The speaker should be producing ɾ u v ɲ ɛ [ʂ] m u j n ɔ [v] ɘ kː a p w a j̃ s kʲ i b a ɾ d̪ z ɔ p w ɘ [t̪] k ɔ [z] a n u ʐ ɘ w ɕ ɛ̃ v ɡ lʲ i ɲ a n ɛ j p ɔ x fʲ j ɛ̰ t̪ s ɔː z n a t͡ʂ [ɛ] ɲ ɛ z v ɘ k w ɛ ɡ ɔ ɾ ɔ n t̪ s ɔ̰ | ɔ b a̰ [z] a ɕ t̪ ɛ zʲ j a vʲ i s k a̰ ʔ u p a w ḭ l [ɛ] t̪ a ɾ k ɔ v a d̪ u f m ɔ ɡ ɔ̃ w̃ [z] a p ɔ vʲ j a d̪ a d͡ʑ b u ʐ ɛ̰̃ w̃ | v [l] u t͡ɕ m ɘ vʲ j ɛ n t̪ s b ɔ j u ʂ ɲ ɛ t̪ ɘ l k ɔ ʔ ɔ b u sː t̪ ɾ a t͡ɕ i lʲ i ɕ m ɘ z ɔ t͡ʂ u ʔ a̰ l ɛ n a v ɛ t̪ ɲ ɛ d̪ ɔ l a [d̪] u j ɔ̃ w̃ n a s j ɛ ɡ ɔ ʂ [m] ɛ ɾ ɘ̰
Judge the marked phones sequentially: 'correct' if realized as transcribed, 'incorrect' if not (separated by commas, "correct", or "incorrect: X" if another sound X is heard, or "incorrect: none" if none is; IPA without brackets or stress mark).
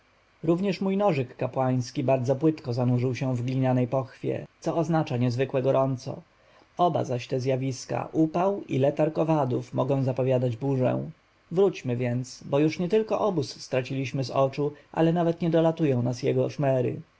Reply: correct, incorrect: ʐ, correct, correct, incorrect: a, correct, correct, correct, incorrect: ɾ, incorrect: t̪, correct